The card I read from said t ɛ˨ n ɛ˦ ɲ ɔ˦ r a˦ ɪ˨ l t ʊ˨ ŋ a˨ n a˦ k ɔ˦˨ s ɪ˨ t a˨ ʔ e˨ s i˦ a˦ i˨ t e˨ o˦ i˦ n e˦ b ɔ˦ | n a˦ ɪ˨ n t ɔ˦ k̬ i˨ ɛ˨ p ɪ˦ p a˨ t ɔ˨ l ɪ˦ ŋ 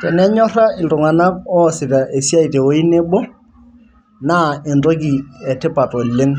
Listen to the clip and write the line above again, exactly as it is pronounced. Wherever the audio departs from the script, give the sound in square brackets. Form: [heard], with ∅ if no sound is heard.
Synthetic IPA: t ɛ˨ n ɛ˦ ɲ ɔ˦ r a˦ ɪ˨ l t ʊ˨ ŋ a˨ n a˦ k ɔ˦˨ s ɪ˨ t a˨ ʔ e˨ s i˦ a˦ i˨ t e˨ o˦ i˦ n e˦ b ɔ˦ | n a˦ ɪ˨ n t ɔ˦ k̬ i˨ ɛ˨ [t] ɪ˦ p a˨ t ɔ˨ l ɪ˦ ŋ